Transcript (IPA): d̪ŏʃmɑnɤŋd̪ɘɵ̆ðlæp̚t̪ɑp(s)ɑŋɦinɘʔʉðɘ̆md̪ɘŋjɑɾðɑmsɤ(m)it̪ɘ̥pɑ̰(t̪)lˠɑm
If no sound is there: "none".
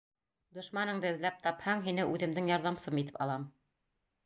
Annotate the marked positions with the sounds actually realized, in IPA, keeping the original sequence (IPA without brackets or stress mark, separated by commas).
h, m, none